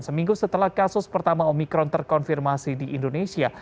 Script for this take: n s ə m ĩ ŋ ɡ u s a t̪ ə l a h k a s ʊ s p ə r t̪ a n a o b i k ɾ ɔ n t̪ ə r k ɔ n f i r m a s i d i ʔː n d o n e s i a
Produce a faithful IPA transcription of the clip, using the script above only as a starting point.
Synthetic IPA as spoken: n s ə m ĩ ŋ ɡ u s ə t̪ ə l a h k a s ʊ s p ə r t̪ a m a o m i k ɾ ɔ n t̪ ə r k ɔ n f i r m a s i d i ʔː n d o n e s i a